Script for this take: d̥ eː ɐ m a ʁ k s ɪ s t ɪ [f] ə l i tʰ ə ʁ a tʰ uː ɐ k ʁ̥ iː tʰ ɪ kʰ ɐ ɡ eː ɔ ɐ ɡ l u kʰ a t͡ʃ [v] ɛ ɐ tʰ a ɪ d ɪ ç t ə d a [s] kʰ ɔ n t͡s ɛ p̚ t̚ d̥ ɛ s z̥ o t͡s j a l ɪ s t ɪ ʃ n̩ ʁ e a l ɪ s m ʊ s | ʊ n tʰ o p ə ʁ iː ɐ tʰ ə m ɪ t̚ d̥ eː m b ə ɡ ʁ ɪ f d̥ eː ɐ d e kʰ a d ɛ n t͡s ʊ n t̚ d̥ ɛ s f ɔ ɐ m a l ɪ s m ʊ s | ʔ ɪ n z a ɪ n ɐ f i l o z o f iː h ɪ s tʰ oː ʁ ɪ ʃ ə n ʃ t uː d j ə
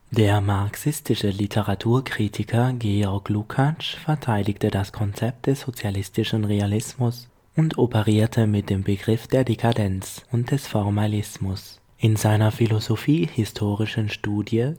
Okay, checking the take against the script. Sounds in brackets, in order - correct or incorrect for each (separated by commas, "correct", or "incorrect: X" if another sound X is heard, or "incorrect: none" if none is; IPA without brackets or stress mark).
incorrect: ʃ, incorrect: f, correct